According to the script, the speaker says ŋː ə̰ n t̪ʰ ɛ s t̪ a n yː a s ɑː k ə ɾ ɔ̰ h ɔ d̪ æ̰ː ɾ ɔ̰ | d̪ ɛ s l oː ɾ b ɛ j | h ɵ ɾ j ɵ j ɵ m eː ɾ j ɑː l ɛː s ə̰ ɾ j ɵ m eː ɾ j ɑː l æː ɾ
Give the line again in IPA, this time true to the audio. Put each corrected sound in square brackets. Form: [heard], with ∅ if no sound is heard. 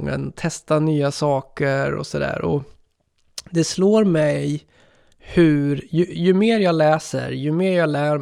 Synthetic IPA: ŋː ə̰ n t̪ʰ ɛ s t̪ a n yː a s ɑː k ə ɾ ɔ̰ [s] ɔ d̪ æ̰ː ɾ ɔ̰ | d̪ ɛ s l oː ɾ [m] ɛ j | h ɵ ɾ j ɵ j ɵ m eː ɾ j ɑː l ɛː s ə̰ ɾ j ɵ m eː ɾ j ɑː l æː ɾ